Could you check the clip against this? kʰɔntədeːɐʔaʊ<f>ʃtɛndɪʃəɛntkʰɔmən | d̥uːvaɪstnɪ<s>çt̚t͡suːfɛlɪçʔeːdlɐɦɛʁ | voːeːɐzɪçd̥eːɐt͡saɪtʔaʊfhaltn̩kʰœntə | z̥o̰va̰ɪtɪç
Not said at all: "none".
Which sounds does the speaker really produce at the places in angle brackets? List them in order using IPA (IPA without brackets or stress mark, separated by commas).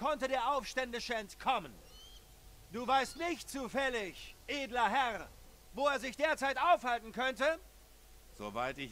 f, none